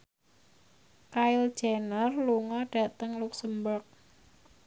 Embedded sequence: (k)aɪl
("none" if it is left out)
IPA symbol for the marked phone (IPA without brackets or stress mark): k